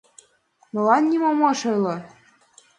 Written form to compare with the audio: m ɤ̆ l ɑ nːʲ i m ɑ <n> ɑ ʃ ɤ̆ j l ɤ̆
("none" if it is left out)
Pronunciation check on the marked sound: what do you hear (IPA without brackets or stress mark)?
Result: m